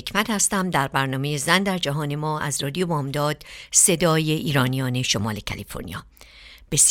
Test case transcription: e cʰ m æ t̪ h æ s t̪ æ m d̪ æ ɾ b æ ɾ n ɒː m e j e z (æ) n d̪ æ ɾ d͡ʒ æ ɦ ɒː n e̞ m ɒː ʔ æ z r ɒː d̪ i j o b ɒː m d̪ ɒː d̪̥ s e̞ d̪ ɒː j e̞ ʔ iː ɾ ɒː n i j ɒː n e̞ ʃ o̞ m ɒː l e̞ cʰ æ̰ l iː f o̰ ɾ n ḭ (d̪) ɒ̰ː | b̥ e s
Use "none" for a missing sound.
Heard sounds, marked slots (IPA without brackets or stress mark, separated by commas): æ, none